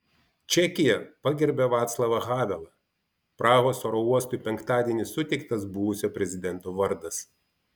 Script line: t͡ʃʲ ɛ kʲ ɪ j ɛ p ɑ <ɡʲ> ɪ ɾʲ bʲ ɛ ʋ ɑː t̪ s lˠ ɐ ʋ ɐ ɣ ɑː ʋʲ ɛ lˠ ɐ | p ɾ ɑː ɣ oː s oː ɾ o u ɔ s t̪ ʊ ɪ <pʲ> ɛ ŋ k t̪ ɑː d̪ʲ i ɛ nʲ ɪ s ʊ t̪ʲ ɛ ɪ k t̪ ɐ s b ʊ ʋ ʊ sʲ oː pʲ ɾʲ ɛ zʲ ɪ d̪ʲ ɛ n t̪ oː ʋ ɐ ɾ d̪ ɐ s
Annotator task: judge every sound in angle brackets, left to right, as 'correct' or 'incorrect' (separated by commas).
correct, correct